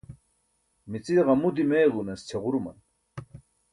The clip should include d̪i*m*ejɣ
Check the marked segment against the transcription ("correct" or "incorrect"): correct